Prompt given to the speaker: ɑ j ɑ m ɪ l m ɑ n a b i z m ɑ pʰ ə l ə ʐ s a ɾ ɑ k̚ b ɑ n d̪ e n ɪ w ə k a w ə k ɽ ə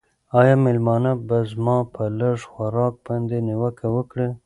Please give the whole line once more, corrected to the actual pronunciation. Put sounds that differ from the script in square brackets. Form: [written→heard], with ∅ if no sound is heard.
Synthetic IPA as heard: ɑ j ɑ m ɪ l m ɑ n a b [i→a] z m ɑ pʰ ə l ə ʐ [s→x] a ɾ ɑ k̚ b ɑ n d̪ e n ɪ w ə k a w ə k ɽ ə